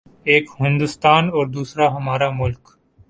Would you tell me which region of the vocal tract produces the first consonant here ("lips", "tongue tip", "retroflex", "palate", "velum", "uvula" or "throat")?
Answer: velum